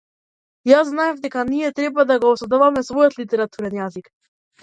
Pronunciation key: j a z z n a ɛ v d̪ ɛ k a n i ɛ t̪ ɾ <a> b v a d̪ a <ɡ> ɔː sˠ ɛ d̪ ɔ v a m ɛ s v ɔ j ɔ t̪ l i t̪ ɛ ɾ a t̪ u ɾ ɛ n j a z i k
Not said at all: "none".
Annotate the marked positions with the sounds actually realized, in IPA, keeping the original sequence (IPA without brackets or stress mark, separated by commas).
ɛ, ɡ